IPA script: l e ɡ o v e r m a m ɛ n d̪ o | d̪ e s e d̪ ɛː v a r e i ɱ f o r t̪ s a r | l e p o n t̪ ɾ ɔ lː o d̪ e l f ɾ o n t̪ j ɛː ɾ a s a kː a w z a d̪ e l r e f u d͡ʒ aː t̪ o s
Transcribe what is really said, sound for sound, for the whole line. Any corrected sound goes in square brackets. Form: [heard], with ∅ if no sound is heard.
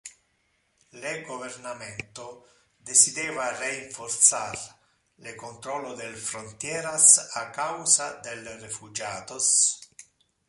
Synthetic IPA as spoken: l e ɡ o v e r [n] a m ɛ n [t̪] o | d̪ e s [i] d̪ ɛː v a r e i ɱ f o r t̪ s a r | l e [k] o n t̪ ɾ ɔ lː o d̪ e l f ɾ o n t̪ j ɛː ɾ a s a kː a w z a d̪ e l r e f u d͡ʒ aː t̪ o s